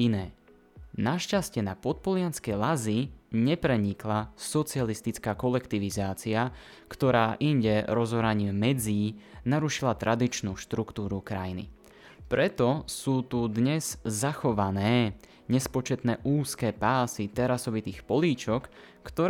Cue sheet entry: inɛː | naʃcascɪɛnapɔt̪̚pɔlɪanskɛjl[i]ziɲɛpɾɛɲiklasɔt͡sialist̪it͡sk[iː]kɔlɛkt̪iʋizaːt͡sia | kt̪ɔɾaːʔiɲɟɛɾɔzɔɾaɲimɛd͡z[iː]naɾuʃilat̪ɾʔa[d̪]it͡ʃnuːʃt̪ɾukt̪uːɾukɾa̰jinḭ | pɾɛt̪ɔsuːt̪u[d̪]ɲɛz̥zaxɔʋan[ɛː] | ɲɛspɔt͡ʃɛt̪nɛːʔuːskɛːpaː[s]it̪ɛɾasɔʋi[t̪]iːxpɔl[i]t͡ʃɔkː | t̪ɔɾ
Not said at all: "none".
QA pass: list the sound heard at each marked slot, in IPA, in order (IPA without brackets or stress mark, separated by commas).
a, aː, iː, d̪, d̪, ɛː, s, t̪, iː